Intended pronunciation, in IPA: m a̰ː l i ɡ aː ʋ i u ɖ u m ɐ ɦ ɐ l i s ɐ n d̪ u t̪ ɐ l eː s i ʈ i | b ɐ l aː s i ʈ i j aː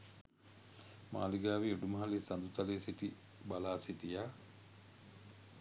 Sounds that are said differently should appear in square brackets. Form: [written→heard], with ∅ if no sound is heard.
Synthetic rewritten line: m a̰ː l i ɡ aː ʋ i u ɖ u m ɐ ɦ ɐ l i s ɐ n d̪ u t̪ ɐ l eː s i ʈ i | b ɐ l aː s i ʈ i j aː